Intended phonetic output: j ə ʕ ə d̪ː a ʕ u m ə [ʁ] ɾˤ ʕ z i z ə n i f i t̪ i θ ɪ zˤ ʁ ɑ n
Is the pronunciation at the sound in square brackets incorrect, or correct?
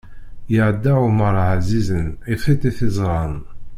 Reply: incorrect